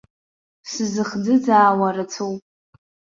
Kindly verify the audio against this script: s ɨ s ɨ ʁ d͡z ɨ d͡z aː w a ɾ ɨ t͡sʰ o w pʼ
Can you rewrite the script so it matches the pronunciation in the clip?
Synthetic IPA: s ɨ z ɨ χ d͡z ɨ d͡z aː w a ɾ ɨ t͡sʰ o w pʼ